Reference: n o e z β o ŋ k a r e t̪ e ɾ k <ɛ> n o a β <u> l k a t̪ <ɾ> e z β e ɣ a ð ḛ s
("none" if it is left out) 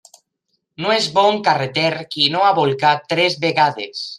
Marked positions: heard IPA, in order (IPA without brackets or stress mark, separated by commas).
i, o, ɾ